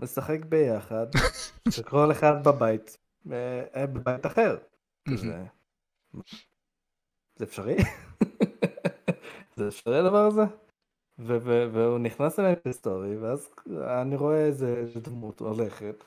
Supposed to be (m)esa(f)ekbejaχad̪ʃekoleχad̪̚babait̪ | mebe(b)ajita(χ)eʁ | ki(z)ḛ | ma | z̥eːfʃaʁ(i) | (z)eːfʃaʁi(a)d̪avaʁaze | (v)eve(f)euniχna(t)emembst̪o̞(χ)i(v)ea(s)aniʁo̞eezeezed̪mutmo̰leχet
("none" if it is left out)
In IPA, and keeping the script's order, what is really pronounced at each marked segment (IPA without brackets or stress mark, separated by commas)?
m, χ, b, χ, z, i, z, a, v, v, s, ʁ, v, z